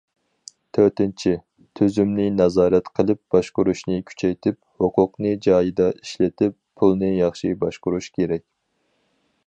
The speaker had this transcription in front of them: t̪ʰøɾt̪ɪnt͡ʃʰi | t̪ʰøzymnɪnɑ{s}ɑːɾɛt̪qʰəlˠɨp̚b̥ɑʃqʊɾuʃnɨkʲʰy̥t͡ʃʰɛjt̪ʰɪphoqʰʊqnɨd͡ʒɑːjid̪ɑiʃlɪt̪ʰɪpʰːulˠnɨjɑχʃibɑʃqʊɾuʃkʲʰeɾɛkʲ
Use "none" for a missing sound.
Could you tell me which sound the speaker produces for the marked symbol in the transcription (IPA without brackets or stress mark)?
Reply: z